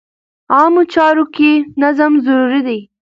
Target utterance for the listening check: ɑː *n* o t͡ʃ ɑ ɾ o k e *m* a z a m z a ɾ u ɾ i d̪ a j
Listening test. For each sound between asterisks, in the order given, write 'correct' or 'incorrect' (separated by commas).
incorrect, incorrect